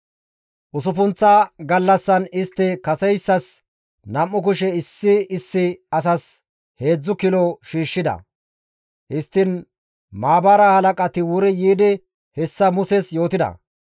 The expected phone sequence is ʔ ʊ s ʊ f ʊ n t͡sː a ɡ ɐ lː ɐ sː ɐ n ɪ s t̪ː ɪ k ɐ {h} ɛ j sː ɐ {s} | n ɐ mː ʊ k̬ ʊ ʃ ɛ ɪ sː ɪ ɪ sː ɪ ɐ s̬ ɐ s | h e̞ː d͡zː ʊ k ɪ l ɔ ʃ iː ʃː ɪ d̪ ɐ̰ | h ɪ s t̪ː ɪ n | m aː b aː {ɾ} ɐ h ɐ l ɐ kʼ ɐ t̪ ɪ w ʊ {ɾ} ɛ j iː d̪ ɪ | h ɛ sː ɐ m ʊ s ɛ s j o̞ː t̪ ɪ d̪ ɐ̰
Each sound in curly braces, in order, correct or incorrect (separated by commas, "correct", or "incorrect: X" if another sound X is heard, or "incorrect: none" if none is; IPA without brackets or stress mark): incorrect: s, correct, correct, correct